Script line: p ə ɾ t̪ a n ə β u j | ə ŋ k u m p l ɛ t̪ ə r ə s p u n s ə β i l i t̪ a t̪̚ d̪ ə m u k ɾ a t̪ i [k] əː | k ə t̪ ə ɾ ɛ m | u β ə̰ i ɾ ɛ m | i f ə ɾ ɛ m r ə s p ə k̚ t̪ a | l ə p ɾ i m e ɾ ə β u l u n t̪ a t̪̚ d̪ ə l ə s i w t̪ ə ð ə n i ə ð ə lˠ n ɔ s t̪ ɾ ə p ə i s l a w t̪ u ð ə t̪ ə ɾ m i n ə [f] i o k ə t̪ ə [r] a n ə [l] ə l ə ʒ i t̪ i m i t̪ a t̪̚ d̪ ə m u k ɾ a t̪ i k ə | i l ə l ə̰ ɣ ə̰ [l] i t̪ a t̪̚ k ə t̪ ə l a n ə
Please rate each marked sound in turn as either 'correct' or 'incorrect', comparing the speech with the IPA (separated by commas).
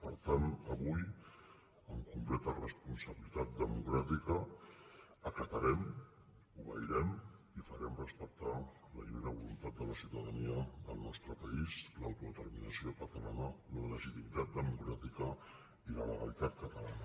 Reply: correct, incorrect, incorrect, correct, correct